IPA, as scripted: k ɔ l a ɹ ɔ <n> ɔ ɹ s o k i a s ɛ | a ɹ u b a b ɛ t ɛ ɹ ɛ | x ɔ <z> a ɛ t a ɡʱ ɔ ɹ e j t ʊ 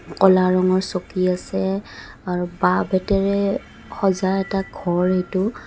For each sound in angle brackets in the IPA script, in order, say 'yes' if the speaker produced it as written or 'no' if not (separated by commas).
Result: no, yes